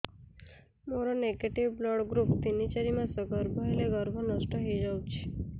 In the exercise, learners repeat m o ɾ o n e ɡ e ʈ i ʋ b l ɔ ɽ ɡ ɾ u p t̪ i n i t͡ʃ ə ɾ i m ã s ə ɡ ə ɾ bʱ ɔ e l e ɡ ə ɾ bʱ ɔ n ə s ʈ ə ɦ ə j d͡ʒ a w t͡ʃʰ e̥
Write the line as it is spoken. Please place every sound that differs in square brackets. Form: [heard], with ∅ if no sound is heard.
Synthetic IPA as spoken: m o ɾ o n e ɡ e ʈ i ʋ b l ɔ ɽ ɡ ɾ u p t̪ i n i t͡ʃ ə ɾ i m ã s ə ɡ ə ɾ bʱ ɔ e l e ɡ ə ɾ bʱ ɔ n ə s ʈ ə ɦ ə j d͡ʒ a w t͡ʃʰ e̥